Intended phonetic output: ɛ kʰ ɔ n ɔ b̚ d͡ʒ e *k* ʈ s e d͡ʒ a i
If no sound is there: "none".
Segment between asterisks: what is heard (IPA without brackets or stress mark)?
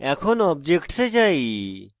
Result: k